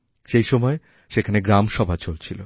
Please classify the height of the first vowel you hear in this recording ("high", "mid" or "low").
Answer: mid